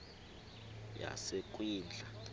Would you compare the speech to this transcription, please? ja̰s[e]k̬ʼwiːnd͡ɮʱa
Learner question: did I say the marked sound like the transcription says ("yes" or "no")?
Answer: yes